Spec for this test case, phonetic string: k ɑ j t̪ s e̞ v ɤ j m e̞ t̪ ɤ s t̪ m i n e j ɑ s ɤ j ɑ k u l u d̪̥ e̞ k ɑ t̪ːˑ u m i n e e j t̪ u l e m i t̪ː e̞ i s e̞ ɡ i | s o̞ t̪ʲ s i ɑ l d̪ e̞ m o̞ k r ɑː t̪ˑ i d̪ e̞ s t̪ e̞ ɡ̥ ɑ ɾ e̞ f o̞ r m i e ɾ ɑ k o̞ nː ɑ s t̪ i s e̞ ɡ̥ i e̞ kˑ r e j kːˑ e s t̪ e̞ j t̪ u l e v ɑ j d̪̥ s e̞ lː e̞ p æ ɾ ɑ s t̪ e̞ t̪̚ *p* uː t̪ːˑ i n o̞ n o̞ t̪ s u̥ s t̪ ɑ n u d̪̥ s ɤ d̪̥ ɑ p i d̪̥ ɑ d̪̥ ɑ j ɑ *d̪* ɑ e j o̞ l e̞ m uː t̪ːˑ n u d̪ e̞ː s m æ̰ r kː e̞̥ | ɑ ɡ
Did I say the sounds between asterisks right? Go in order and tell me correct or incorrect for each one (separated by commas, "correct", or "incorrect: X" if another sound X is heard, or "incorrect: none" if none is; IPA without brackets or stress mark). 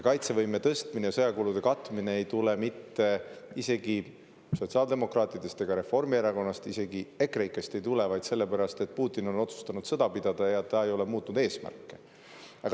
correct, incorrect: t̪